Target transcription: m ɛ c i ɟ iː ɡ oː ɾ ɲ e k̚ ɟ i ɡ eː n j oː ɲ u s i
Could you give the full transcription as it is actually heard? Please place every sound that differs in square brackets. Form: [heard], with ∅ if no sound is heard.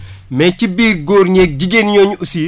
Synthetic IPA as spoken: m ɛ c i [b] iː ɡ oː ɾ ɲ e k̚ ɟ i ɡ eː n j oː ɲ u s i